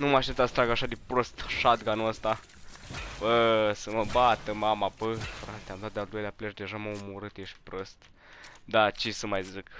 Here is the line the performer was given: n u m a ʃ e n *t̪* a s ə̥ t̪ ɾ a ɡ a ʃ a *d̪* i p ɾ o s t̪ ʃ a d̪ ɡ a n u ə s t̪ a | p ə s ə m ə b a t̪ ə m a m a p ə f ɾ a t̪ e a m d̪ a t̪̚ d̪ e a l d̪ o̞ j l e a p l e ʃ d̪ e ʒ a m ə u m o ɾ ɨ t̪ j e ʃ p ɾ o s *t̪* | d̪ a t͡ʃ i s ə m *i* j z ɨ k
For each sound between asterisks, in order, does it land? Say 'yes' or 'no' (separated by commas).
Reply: yes, yes, yes, no